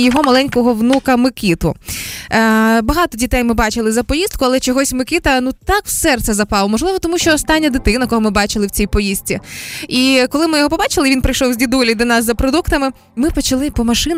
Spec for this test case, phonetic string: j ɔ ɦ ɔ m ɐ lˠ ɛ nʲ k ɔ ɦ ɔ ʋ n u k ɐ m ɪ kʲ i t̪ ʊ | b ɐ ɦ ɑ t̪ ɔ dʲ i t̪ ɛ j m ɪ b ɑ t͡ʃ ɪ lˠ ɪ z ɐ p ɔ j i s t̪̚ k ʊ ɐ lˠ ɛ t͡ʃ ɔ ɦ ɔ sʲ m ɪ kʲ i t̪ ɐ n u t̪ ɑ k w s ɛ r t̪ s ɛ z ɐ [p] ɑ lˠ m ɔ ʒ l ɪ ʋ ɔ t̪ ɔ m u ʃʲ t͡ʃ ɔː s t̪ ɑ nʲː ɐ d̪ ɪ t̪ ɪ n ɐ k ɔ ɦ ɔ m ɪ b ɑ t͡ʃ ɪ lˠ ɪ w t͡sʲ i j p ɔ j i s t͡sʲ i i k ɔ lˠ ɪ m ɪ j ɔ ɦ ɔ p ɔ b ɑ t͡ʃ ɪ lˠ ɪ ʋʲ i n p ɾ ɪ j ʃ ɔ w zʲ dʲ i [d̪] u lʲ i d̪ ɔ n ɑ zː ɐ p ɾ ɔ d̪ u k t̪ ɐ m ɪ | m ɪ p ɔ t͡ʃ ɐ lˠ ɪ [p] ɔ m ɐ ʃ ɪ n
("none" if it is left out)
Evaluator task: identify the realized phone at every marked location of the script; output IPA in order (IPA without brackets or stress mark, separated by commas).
p, d̪, p